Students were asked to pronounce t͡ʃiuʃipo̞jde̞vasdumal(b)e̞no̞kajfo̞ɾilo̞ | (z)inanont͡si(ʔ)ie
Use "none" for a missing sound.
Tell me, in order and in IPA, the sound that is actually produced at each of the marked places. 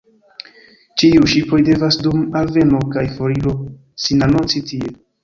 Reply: v, s, t

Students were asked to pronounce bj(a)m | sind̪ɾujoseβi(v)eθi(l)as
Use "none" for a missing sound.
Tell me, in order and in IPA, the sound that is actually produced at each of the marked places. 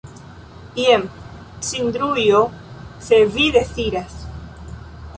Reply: e, ð, ɾ

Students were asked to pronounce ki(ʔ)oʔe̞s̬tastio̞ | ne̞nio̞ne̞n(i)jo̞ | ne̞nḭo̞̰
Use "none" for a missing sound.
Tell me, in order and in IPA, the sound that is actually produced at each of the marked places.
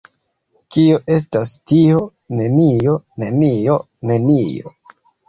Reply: none, i

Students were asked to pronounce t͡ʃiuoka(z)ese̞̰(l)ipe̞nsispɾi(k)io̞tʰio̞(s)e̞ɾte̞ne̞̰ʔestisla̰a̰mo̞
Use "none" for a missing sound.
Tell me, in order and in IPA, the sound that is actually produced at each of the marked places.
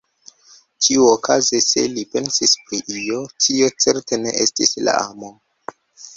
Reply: z, l, ʔ, t͡s

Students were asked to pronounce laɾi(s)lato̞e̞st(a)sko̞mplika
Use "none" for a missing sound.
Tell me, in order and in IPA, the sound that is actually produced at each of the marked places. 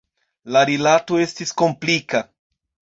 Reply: none, i

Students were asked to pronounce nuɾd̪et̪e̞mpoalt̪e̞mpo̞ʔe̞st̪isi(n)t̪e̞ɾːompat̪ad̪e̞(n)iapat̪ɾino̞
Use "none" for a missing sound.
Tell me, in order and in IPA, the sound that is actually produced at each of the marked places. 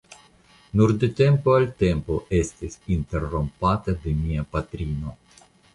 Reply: n, m

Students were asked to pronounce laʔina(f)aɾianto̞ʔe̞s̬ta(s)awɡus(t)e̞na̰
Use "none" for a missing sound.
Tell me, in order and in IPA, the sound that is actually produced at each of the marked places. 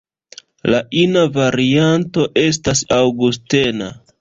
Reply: v, s, t

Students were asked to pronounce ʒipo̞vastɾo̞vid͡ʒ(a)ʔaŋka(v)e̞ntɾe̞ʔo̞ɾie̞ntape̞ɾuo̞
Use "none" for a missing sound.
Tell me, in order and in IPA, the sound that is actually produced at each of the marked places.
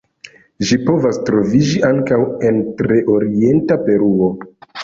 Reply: i, w

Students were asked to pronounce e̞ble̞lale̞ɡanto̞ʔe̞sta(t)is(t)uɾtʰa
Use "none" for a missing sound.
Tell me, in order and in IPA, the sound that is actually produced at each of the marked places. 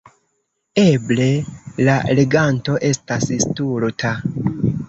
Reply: s, t

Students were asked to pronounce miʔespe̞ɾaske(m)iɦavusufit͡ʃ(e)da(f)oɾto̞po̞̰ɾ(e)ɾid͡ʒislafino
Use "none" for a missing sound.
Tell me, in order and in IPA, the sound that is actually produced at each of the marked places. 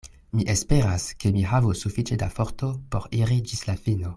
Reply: m, e, f, i

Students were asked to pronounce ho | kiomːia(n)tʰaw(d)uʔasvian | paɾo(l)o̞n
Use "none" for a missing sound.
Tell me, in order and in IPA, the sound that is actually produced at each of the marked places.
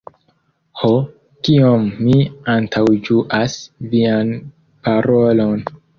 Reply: n, d͡ʒ, l

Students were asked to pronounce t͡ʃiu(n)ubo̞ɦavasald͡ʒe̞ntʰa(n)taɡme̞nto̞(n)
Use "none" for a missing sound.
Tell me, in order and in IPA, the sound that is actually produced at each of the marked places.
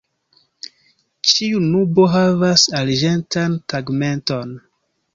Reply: n, n, n

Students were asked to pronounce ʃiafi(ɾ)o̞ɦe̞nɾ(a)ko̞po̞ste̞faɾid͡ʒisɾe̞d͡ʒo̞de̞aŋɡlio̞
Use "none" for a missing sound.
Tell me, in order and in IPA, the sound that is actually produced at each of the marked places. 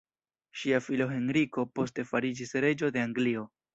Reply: l, i

